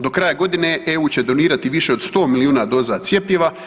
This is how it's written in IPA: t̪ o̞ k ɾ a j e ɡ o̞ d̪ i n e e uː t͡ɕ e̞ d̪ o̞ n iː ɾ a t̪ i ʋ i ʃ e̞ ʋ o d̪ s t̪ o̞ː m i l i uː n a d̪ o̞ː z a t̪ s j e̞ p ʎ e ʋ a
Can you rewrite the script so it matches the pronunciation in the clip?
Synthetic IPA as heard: d̪ o̞ k ɾ a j a ɡ o̞ d̪ i n e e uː t͡ɕ e̞ d̪ o̞ n iː ɾ a t̪ i ʋ i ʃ e̞ o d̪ s t̪ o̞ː m i l i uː n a d̪ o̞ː z a t̪ s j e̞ p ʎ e ʋ a